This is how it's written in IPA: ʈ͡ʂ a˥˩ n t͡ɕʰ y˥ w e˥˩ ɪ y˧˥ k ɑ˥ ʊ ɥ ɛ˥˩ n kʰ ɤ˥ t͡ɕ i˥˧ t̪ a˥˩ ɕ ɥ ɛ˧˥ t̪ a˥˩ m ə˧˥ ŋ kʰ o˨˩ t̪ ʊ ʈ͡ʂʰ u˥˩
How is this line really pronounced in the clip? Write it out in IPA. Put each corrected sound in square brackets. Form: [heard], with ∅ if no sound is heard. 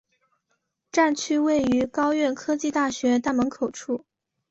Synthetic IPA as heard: ʈ͡ʂ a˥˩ n t͡ɕʰ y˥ w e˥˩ ɪ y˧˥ k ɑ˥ ʊ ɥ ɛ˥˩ n kʰ ɤ˥ t͡ɕ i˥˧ t̪ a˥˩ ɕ ɥ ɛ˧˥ t̪ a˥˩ m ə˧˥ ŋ kʰ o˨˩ [∅] ʊ ʈ͡ʂʰ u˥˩

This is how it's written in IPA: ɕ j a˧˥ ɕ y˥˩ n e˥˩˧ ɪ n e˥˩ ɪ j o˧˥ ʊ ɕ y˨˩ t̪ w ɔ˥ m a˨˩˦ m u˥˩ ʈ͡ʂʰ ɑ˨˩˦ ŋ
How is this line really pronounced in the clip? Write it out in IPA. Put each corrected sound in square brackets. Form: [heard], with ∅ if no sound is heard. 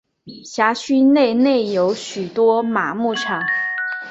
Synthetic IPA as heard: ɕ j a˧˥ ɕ [y˥] n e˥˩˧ ɪ n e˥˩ ɪ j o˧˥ ʊ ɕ y˨˩ t̪ w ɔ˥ m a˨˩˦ m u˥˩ ʈ͡ʂʰ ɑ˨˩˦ ŋ

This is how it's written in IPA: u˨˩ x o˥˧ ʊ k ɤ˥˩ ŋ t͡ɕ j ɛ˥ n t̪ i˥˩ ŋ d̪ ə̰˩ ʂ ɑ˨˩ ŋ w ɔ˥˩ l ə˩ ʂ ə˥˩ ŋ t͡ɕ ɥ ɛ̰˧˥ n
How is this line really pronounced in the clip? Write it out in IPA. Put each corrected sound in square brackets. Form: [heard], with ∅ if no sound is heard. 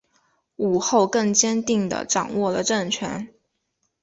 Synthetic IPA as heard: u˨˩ x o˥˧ ʊ k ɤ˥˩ ŋ t͡ɕ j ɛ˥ n t̪ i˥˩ ŋ d̪ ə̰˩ [ʈ͡ʂ] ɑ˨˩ ŋ w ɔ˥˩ l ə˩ [ʈ͡ʂ] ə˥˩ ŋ [t͡ɕʰ] ɥ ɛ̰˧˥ n

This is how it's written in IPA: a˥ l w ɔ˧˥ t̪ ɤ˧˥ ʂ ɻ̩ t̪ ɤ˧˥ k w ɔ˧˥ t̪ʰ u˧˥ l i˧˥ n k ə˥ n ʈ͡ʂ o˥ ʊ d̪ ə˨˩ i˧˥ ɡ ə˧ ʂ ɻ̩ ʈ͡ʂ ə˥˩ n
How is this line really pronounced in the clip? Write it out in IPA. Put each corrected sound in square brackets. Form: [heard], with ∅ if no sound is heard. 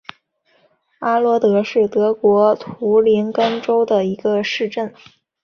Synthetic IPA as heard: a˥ l w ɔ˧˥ t̪ ɤ˧˥ ʂ ɻ̩ t̪ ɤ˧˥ k w ɔ˧˥ t̪ʰ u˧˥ l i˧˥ n k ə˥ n ʈ͡ʂ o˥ ʊ d̪ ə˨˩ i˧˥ ɡ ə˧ ʂ ɻ̩ ʈ͡ʂ ə˥˩ n

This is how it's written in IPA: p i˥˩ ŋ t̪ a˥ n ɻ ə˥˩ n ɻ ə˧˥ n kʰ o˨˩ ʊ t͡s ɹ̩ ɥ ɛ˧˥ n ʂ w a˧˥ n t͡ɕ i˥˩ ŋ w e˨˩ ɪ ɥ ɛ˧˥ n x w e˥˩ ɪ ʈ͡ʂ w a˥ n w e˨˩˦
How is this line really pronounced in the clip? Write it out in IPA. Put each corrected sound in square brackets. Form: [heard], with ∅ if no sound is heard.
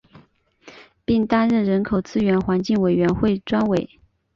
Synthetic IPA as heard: p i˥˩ ŋ t̪ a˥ n ɻ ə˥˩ n ɻ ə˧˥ n kʰ o˨˩ ʊ t͡s ɹ̩ ɥ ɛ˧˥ n [x] w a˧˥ n t͡ɕ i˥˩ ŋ w e˨˩ ɪ ɥ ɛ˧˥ n x w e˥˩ ɪ ʈ͡ʂ w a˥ n w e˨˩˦

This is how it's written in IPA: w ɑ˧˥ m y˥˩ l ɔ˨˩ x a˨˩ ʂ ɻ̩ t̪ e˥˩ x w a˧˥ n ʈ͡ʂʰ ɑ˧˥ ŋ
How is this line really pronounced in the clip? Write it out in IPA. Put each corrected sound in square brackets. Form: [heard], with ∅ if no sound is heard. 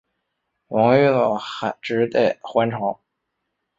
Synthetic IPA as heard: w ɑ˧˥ [ŋ] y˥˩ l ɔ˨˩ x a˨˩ [ʈ͡ʂ] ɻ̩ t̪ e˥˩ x w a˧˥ n ʈ͡ʂʰ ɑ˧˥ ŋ

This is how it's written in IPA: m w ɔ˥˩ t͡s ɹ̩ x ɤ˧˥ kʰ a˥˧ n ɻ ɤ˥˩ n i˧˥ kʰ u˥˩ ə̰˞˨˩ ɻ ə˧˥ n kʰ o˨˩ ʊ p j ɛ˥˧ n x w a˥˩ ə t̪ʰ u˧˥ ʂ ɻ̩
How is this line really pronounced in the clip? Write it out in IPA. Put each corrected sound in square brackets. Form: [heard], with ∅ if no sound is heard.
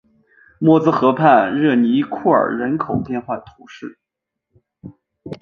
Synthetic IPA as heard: m w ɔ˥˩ t͡s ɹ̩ x ɤ˧˥ [pʰ] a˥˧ n ɻ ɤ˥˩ n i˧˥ kʰ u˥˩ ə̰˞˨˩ ɻ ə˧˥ n kʰ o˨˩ ʊ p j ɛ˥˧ n x w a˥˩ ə t̪ʰ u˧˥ ʂ ɻ̩

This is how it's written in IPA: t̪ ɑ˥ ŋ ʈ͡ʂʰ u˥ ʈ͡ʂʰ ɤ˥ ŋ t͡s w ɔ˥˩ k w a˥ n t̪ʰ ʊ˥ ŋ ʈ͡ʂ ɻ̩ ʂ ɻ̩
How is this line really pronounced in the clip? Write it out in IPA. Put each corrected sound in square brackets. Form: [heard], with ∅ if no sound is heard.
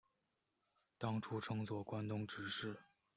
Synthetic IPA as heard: t̪ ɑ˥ ŋ ʈ͡ʂʰ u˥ ʈ͡ʂʰ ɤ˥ ŋ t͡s w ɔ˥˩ k w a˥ n [t̪] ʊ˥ ŋ ʈ͡ʂ ɻ̩ ʂ ɻ̩

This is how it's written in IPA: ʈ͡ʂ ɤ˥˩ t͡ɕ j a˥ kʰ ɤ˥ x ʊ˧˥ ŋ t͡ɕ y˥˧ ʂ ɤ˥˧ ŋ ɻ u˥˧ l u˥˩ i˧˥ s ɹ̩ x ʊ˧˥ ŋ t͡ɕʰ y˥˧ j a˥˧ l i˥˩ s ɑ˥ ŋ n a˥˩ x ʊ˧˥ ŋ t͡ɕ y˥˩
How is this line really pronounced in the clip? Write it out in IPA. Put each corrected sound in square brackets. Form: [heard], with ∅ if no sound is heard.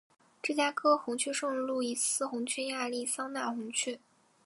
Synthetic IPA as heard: ʈ͡ʂ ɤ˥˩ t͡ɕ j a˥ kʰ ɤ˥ x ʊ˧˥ ŋ [t͡ɕʰ] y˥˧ ʂ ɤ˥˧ ŋ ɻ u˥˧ l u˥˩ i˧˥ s ɹ̩ x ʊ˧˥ ŋ t͡ɕʰ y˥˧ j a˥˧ l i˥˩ s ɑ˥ ŋ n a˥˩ x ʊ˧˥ ŋ [t͡ɕʰ] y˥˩

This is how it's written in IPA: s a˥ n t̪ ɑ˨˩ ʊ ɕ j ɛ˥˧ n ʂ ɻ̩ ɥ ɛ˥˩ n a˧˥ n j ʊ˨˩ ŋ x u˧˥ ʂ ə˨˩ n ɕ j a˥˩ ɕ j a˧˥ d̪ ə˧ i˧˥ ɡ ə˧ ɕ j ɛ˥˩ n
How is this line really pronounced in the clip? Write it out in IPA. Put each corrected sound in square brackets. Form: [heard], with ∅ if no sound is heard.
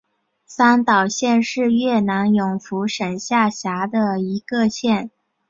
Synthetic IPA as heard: s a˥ n t̪ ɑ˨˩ ʊ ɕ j ɛ˥˧ n ʂ ɻ̩ ɥ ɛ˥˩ n a˧˥ n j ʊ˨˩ ŋ [f] u˧˥ ʂ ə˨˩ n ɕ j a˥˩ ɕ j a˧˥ d̪ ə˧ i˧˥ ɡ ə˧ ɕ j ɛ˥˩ n

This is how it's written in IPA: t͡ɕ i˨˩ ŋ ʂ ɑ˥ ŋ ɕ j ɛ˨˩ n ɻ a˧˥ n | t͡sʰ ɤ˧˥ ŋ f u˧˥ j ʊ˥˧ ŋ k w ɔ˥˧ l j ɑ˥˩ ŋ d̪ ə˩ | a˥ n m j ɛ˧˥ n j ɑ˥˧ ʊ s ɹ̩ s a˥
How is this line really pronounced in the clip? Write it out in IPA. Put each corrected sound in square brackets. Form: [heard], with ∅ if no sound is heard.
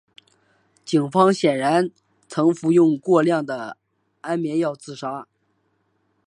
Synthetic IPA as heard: t͡ɕ i˨˩ ŋ [f] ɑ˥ ŋ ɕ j ɛ˨˩ n ɻ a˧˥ n | t͡sʰ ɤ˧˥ ŋ f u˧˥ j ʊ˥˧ ŋ k w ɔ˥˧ l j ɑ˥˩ ŋ d̪ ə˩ | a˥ n m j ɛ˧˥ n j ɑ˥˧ ʊ [t͡s] ɹ̩ [ʂ] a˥

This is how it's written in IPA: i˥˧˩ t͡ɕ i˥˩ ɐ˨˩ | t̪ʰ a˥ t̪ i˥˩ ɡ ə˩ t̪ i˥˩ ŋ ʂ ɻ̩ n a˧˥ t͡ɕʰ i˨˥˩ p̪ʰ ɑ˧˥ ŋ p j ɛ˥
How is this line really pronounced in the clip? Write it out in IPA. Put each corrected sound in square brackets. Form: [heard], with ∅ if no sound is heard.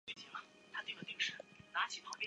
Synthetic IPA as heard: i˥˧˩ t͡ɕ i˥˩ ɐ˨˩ | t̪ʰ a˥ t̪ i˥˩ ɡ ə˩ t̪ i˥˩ ŋ ʂ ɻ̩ n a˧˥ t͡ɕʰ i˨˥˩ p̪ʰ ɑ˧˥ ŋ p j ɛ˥

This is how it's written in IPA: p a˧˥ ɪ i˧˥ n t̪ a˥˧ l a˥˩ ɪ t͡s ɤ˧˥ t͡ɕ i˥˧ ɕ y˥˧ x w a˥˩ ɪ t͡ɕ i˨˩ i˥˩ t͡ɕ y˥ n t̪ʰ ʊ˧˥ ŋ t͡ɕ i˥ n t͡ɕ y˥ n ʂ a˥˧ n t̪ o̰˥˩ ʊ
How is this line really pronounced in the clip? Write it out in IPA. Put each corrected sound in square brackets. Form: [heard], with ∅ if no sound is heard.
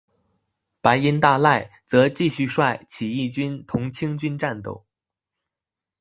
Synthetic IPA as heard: p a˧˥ ɪ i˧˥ n t̪ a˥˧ l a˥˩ ɪ t͡s ɤ˧˥ t͡ɕ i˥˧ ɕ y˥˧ [ʂ] w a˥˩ ɪ [t͡ɕʰ] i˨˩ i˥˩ t͡ɕ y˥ n t̪ʰ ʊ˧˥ ŋ [t͡ɕʰ] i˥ [ŋ] t͡ɕ y˥ n [ʈ͡ʂ] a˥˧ n t̪ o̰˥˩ ʊ

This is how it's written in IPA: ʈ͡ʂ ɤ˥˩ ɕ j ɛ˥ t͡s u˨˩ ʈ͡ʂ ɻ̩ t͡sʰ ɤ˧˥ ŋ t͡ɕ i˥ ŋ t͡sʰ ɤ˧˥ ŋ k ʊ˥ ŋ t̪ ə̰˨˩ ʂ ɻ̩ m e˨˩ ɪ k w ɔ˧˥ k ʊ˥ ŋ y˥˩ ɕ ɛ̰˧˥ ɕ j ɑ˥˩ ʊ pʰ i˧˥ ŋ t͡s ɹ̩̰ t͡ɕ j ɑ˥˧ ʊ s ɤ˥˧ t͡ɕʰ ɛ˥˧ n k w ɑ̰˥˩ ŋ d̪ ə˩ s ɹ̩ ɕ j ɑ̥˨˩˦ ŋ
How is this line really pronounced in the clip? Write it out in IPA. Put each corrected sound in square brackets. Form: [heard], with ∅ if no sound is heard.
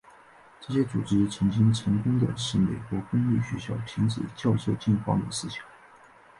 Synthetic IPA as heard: ʈ͡ʂ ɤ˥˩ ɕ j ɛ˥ t͡s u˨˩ ʈ͡ʂ ɻ̩ t͡sʰ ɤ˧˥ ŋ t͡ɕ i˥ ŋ t͡sʰ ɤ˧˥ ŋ k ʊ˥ ŋ [d̪] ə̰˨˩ ʂ ɻ̩ m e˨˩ ɪ k w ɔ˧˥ k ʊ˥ ŋ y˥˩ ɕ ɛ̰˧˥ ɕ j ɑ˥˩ ʊ pʰ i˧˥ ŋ t͡s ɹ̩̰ t͡ɕ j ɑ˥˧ ʊ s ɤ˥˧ [t͡ɕ] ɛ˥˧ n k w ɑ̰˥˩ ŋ d̪ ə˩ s ɹ̩ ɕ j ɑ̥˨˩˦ ŋ

